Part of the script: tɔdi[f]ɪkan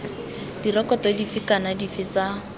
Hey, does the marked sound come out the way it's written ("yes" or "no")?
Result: yes